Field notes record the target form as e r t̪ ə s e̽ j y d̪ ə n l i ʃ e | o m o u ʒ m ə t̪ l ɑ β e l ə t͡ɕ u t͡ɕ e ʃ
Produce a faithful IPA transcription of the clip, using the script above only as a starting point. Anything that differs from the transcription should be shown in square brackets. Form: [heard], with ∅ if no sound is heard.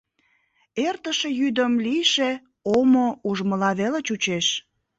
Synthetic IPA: e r t̪ ə [ʃ] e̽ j y d̪ ə [m] l i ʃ e | o m o u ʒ m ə [∅] l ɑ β e l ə t͡ɕ u t͡ɕ e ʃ